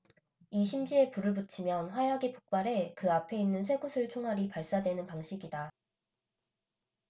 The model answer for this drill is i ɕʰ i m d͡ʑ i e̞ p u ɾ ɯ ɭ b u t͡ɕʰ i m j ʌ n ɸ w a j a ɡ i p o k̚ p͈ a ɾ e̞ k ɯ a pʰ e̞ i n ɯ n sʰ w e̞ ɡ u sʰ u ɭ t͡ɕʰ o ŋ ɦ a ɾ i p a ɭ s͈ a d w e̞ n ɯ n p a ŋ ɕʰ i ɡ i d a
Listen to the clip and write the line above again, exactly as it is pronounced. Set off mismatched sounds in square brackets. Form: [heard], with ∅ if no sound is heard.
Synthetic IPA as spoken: i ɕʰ i m d͡ʑ i e̞ p u ɾ ɯ ɭ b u t͡ɕʰ i m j ʌ n ɸ w a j a ɡ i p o k̚ p͈ a ɾ e̞ k ɯ a pʰ e̞ i [nː] ɯ n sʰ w e̞ ɡ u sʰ [ɯ] ɭ t͡ɕʰ o ŋ ɦ a ɾ i p a ɭ s͈ a d w e̞ n ɯ n p a ŋ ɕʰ i ɡ i d a